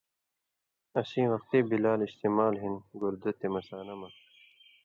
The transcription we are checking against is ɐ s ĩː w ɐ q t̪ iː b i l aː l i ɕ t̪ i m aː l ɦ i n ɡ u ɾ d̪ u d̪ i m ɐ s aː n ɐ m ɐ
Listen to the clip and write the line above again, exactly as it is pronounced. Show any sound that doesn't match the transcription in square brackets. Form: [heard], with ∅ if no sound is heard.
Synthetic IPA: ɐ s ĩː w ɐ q t̪ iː b i l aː l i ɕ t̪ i m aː l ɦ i n ɡ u ɾ d̪ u [t̪] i m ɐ s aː n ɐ m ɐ